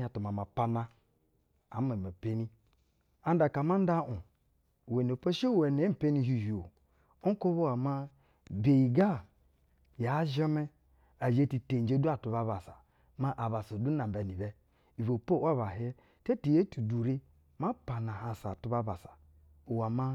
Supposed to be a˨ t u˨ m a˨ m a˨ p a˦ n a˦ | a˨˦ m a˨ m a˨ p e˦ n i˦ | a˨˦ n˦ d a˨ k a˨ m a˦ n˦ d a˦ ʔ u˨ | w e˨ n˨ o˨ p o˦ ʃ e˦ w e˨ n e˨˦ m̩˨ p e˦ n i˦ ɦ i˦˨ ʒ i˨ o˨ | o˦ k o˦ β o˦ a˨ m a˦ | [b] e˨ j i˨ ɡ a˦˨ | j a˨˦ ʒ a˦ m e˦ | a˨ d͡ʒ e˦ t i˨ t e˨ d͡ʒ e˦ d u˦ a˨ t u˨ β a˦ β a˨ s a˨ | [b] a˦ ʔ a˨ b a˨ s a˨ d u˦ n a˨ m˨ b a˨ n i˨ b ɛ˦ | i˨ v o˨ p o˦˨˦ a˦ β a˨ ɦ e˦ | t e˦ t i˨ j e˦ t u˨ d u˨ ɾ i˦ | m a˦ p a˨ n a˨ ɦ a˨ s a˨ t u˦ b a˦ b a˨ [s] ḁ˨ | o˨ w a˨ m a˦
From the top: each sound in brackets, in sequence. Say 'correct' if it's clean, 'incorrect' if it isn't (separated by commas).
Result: correct, incorrect, correct